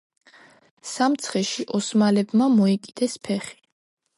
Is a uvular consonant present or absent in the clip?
present